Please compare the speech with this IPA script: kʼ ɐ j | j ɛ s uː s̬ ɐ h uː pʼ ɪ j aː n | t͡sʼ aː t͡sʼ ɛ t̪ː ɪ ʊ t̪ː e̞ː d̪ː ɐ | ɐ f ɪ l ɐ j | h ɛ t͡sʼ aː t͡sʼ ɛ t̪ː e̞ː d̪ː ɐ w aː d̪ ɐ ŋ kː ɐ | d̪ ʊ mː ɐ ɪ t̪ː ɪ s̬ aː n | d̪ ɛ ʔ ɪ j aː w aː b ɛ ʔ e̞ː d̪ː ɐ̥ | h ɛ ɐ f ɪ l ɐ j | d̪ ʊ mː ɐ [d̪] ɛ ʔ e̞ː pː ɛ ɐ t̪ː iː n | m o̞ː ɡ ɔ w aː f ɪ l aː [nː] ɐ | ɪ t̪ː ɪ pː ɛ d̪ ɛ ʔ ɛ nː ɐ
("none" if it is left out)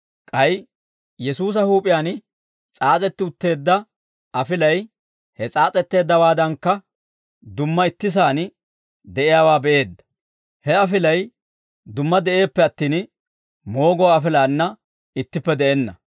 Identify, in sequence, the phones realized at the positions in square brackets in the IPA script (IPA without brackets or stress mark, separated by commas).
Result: d̪, nː